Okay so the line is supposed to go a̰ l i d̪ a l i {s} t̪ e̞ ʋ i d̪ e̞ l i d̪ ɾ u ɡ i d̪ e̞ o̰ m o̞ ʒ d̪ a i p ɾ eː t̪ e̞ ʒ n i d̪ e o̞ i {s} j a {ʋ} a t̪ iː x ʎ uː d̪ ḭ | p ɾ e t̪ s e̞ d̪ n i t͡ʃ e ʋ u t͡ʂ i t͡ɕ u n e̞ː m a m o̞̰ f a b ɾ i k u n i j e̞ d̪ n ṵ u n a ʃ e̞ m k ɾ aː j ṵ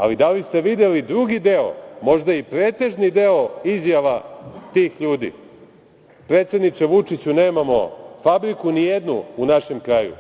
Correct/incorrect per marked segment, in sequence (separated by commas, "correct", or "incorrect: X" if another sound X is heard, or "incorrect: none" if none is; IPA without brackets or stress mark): correct, incorrect: z, correct